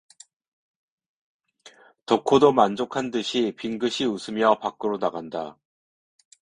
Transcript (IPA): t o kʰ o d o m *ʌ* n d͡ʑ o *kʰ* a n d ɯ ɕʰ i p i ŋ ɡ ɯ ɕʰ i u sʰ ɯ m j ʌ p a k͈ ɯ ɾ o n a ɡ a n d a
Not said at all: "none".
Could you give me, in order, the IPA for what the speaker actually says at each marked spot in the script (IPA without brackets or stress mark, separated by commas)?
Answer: a, kʰ